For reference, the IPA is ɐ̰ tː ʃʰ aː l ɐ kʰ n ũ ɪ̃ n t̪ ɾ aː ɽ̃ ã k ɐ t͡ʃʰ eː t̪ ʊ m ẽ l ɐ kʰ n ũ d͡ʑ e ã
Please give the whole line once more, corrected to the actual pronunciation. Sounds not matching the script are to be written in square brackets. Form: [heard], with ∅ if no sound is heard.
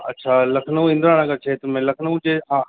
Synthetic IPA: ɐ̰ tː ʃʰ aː l ɐ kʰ n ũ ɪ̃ n [d̪] ɾ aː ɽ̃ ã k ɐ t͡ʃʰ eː t̪ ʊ m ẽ l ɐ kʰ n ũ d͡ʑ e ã